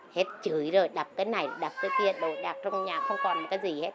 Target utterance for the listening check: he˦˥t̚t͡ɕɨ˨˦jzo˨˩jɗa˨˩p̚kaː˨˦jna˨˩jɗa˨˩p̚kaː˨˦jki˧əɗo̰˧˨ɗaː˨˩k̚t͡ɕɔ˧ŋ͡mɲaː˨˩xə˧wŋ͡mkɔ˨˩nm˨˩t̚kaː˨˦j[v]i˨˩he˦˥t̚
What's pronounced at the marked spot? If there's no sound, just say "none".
z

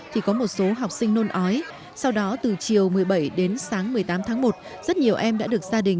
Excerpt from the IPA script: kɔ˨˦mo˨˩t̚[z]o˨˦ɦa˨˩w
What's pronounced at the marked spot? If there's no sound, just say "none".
s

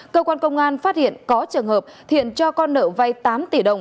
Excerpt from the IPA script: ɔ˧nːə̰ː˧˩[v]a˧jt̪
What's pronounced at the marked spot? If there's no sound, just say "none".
v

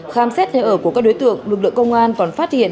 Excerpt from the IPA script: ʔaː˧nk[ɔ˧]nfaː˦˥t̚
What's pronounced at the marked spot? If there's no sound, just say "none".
ɔ˨˩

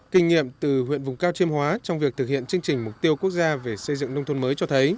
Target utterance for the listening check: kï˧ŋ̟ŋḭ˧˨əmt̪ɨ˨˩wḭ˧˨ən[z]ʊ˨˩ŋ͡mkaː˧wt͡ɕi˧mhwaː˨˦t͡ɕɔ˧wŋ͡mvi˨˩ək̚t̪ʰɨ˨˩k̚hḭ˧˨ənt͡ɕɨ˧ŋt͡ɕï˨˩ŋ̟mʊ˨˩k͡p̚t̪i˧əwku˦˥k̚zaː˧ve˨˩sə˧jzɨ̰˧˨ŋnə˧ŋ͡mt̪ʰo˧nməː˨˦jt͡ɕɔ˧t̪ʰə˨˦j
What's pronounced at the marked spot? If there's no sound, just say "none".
v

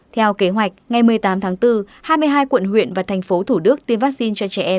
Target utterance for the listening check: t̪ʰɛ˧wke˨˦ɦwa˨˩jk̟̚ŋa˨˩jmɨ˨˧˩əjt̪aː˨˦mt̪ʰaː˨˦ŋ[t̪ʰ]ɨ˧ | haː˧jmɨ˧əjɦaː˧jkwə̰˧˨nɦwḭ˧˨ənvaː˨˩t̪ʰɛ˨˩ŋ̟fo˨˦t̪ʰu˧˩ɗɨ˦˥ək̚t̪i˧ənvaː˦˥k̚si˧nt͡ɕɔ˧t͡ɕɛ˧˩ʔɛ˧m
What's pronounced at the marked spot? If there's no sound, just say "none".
t̪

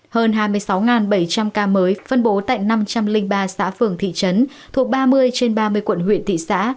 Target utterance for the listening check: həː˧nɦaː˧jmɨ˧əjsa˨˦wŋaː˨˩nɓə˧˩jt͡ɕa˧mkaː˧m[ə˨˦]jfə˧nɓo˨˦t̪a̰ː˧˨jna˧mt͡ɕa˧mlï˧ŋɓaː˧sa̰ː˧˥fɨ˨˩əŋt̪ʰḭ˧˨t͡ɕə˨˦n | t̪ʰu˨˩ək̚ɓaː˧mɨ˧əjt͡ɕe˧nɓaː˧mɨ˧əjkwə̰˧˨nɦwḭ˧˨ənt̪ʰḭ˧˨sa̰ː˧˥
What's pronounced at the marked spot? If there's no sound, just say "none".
əː˨˦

